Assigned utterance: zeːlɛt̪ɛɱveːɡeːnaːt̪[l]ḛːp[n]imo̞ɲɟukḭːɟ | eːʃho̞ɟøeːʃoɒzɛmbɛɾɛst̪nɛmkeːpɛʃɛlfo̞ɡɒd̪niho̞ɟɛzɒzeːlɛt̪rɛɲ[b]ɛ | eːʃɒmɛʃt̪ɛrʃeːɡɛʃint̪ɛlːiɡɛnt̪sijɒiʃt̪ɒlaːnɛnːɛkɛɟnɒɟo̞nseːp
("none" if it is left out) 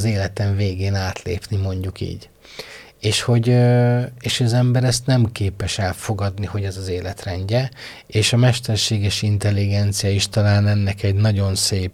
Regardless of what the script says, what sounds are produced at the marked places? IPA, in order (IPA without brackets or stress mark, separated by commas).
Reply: l, n, ɟ